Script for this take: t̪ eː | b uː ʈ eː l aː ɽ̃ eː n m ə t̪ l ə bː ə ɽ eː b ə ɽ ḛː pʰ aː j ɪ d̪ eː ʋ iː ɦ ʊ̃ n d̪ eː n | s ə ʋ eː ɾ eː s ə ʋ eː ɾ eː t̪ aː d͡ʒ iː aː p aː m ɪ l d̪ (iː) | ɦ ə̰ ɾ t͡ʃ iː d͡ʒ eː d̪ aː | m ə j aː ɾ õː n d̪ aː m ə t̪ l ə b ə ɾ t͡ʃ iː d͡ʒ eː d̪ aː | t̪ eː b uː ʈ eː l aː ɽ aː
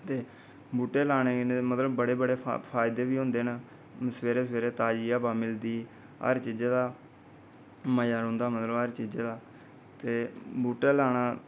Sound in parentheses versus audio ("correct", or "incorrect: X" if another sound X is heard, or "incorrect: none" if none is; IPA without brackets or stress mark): correct